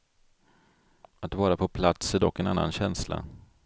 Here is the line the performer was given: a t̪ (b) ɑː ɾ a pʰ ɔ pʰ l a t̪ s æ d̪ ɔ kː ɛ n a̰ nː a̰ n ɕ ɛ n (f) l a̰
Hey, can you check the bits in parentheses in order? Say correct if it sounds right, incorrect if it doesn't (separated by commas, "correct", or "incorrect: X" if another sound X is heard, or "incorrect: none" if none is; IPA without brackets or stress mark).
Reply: incorrect: v, incorrect: s